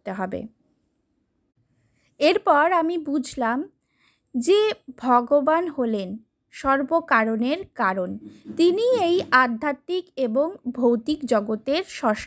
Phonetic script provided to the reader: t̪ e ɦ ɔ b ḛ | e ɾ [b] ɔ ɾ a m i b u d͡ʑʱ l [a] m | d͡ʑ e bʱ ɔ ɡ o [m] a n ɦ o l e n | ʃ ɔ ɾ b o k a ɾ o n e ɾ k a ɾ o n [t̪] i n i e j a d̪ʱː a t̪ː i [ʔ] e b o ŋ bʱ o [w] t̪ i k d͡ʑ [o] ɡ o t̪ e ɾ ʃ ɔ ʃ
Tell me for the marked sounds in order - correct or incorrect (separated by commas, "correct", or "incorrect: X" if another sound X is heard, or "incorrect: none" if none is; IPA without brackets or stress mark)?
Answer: incorrect: p, correct, incorrect: b, correct, incorrect: k, correct, incorrect: ɔ